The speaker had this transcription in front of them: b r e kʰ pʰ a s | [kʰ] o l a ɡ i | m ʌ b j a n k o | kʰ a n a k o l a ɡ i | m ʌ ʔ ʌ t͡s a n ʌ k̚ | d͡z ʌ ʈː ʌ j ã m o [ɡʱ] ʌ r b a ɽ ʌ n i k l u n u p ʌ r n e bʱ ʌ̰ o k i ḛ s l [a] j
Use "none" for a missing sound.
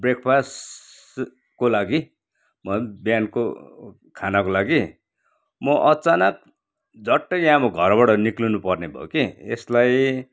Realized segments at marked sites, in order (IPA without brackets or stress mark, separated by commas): k, ɡʱ, a